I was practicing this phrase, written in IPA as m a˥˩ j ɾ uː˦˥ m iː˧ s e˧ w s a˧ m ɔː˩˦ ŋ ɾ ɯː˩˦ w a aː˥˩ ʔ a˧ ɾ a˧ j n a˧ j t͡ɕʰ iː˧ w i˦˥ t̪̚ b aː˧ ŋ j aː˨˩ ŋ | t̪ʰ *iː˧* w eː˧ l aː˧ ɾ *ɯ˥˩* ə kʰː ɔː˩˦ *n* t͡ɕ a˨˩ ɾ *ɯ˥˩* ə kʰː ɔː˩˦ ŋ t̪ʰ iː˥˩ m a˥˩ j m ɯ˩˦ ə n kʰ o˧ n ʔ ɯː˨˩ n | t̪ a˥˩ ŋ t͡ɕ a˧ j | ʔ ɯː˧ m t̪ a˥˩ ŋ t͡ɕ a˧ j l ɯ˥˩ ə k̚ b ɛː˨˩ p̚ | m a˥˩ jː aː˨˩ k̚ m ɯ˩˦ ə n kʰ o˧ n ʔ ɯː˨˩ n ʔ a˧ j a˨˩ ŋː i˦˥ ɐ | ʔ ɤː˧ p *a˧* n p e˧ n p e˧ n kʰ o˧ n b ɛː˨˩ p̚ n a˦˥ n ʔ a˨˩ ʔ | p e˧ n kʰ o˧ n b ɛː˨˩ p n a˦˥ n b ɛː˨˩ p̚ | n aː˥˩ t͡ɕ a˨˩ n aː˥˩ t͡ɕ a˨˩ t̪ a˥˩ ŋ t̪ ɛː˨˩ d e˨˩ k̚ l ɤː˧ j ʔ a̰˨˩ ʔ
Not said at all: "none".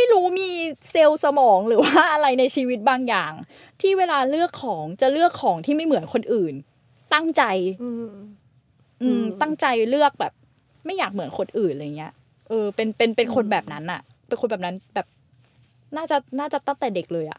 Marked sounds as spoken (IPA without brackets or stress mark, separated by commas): iː˥˩, ɯ˥˩, ŋ, ɯ˥˩, e˧